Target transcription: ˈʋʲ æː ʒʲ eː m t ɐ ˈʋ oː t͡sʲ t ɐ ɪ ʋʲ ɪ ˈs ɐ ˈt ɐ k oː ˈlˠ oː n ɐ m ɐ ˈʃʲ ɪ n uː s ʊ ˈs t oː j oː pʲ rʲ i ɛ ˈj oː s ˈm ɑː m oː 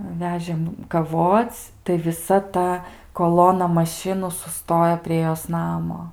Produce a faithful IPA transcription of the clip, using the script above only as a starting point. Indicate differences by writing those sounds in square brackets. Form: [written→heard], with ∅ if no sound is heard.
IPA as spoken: ˈʋʲ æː ʒʲ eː m [t→k] ɐ ˈʋ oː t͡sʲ t ɐ ɪ ʋʲ ɪ ˈs ɐ ˈt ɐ k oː ˈlˠ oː n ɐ m ɐ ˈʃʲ ɪ n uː s ʊ ˈs t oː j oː pʲ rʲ i ɛ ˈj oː s [ˈm→ˈn] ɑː m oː